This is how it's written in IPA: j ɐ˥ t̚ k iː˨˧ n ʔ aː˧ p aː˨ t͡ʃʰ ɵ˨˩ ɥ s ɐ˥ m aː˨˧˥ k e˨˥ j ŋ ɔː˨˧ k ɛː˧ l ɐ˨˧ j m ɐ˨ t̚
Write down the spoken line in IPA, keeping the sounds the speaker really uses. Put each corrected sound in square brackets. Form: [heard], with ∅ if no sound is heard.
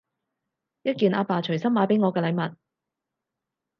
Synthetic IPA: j ɐ˥ t̚ k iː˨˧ n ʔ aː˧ p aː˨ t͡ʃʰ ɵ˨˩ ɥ s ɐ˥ m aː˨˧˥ [p] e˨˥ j ŋ ɔː˨˧ k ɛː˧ l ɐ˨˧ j m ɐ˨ t̚